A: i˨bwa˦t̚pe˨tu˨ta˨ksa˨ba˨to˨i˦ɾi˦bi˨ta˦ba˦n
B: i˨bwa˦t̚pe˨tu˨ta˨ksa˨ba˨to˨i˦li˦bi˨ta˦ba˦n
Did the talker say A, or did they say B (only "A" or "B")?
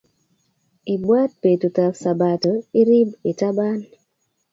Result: A